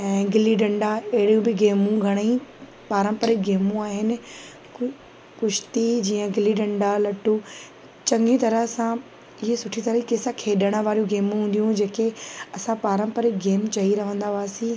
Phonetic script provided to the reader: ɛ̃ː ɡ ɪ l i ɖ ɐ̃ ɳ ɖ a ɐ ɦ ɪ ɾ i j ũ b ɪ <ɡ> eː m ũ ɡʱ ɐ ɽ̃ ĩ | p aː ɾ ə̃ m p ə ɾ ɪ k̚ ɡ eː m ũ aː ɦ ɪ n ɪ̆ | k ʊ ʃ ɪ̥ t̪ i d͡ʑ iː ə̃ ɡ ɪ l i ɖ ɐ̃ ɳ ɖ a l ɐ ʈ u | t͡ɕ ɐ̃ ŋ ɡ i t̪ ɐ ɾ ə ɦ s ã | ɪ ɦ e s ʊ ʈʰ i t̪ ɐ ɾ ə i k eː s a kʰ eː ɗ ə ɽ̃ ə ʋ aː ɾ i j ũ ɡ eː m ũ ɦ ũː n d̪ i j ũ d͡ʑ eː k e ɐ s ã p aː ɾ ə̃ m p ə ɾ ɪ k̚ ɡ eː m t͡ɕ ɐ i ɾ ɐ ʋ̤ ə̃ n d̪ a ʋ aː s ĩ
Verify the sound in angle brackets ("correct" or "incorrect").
correct